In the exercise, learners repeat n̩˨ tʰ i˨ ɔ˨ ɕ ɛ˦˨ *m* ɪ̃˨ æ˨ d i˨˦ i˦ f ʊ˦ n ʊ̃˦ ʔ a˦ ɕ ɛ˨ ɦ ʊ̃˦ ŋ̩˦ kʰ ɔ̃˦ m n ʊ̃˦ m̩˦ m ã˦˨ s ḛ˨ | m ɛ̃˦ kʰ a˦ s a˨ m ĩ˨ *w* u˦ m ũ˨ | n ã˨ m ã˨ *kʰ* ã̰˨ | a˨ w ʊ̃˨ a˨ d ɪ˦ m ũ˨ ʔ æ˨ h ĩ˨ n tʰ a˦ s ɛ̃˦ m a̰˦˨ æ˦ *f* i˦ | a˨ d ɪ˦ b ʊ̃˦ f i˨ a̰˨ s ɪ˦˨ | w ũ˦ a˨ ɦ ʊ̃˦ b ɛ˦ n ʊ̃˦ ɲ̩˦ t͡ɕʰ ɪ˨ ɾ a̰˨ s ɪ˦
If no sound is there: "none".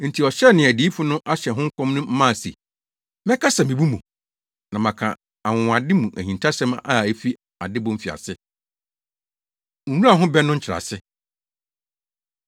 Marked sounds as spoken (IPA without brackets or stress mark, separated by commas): n, b, kʰ, f